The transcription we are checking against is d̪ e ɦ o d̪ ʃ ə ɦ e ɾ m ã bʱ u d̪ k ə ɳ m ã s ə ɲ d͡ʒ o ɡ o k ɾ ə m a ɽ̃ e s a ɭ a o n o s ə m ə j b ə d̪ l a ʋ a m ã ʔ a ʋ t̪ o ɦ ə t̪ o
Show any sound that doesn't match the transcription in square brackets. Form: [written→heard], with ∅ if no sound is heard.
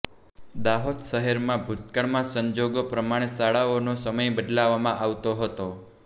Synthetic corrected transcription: d̪ [e→a] ɦ o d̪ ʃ ə ɦ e ɾ m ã bʱ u [d̪→t̪] k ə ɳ m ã s ə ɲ d͡ʒ o ɡ o [k→p] ɾ ə m a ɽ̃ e s a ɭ a o n o s ə m ə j b ə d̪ l a ʋ a m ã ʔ a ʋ t̪ o ɦ ə t̪ o